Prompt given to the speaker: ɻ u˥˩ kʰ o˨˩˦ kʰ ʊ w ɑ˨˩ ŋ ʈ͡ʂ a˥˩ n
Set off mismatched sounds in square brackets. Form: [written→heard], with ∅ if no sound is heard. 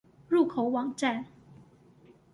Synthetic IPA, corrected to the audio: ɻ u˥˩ kʰ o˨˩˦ [kʰ→∅] ʊ w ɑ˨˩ ŋ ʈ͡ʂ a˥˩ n